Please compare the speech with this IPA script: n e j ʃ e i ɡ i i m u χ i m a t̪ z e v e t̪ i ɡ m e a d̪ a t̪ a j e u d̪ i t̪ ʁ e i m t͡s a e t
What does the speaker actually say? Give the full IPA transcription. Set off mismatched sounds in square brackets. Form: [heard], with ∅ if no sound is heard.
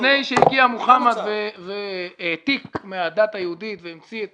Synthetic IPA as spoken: n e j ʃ e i ɡ i [a] m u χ [a] m a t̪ [v] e v e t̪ i [k] m e a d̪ a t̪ a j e u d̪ i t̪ [v] e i m t͡s [i] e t